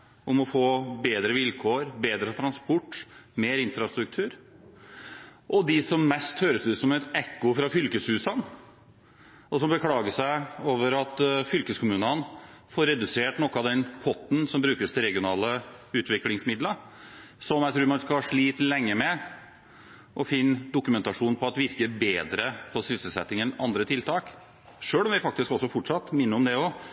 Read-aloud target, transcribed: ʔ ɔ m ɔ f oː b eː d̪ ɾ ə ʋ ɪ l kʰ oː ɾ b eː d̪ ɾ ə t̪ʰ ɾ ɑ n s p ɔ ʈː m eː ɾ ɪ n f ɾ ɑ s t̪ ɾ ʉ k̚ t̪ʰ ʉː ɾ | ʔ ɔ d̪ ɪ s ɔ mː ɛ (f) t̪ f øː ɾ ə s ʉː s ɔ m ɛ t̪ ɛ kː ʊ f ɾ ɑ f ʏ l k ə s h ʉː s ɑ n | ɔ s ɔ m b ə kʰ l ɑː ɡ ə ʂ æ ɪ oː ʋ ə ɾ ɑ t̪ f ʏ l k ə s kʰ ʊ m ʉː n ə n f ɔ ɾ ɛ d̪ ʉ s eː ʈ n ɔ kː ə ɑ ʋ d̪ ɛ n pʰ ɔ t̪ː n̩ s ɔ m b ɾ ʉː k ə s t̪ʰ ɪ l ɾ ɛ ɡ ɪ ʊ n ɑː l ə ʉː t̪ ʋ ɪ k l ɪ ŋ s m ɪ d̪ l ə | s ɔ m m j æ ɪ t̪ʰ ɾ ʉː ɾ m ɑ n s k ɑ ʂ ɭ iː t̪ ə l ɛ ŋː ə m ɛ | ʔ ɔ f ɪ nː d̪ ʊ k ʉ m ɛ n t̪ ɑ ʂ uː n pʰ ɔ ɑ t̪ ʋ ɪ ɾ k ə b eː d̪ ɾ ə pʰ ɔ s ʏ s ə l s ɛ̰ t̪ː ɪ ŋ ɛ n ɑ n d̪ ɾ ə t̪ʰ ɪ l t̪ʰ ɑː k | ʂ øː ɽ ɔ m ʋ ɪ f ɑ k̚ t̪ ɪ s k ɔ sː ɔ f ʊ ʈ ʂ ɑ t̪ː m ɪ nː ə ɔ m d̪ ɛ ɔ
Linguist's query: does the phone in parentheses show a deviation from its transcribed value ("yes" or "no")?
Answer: yes